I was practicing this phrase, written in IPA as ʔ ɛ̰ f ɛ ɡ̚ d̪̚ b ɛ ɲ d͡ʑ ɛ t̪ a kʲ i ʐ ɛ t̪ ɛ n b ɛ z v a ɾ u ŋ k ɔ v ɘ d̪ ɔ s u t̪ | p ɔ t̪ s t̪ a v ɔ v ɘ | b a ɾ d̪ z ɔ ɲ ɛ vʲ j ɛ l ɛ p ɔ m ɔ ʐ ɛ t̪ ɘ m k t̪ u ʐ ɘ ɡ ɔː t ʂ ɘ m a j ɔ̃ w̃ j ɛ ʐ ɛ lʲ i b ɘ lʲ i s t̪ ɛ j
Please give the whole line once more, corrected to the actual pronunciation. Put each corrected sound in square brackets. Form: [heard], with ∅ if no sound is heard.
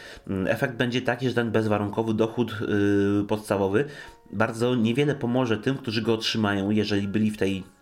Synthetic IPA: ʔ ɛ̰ f ɛ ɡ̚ d̪̚ b ɛ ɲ d͡ʑ ɛ t̪ a kʲ i ʐ ɛ t̪ ɛ n b ɛ z v a ɾ u ŋ k ɔ v ɘ d̪ ɔ [x] u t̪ | p ɔ t̪ s t̪ a v ɔ v ɘ | b a ɾ d̪ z ɔ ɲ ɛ vʲ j ɛ l ɛ p ɔ m ɔ ʐ ɛ t̪ ɘ m k t̪ u ʐ ɘ ɡ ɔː t ʂ ɘ m a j ɔ̃ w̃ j ɛ ʐ ɛ lʲ i b ɘ lʲ i [f] t̪ ɛ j